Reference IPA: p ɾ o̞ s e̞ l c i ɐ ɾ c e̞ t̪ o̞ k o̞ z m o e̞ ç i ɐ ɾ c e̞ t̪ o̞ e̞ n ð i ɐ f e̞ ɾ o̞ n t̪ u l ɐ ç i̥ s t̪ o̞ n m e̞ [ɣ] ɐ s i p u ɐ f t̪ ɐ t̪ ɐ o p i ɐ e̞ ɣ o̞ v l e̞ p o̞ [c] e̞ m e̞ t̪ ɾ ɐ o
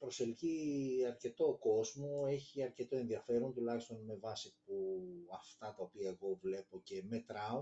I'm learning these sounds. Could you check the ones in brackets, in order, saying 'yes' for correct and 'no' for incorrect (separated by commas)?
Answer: no, yes